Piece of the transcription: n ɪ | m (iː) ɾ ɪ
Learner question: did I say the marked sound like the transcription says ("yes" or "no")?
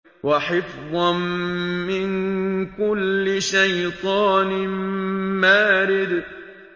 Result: no